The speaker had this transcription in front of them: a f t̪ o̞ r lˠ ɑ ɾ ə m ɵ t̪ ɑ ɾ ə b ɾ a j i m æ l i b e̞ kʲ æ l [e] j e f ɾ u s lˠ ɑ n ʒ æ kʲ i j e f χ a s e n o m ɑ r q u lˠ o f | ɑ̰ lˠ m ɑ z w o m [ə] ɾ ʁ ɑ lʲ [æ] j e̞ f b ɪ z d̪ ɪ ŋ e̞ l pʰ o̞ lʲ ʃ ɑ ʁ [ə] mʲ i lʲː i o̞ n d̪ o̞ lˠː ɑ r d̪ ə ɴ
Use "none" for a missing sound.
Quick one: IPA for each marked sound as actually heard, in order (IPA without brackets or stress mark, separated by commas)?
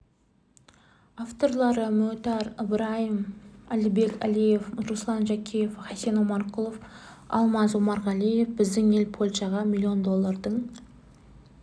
i, ɑ, i, ɑ